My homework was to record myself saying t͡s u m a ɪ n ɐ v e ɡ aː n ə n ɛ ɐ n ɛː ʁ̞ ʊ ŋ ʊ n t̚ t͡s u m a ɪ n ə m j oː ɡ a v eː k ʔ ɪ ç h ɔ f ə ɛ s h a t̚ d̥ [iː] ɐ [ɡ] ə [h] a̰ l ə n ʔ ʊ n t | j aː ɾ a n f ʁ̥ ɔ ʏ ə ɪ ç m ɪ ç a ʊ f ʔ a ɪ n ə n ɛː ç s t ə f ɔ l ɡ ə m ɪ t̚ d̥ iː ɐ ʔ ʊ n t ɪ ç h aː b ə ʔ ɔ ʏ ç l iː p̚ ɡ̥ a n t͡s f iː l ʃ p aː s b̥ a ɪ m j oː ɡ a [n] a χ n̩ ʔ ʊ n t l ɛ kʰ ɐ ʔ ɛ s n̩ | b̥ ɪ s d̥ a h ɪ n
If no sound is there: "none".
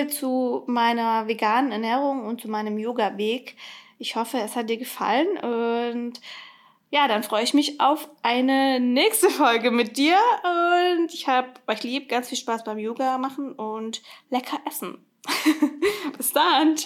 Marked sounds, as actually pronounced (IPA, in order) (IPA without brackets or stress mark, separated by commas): iː, ɡ, f, m